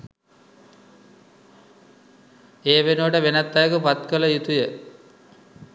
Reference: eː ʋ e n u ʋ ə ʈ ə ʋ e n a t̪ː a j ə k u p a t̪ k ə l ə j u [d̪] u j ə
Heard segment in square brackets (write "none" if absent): t̪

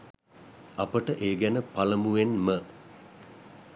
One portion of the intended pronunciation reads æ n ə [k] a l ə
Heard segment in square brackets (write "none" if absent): p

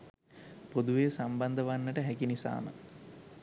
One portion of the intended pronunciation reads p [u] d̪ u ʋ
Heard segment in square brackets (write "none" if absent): o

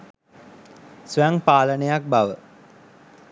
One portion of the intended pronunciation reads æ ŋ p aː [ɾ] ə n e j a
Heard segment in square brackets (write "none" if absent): l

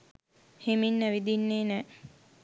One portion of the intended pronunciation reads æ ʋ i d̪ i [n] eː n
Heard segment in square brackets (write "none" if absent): nː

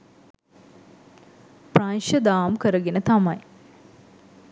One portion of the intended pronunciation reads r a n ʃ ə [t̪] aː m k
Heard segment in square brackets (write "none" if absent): d̪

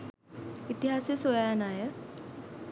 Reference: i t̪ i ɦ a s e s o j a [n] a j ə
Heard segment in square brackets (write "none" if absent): n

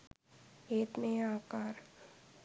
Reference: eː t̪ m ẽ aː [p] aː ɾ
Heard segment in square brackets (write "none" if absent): k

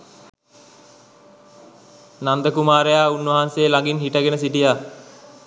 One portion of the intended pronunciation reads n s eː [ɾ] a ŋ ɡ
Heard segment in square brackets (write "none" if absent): l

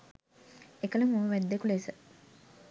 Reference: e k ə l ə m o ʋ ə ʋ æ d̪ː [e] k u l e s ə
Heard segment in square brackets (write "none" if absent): e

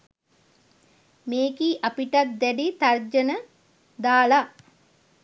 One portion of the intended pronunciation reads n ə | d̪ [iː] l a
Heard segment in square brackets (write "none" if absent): aː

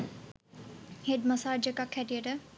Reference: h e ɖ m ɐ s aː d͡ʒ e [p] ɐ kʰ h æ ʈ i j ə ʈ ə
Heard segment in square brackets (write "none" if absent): k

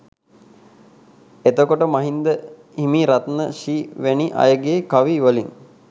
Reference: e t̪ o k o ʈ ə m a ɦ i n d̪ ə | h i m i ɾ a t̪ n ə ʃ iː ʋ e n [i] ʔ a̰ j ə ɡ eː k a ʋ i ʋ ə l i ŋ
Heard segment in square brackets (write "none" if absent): i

